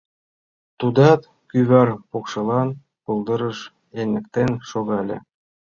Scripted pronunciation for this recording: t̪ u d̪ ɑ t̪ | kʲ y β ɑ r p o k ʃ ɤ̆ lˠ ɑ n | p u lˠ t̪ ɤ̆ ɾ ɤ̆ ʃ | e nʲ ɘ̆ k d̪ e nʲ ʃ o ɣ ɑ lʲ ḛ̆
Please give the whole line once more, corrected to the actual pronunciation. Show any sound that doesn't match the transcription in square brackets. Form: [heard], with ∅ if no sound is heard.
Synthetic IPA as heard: t̪ u d̪ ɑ t̪ | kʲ y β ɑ r p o k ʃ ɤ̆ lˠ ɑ n | p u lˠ [d̪] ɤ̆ ɾ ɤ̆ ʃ | e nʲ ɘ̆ k [t̪] e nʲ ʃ o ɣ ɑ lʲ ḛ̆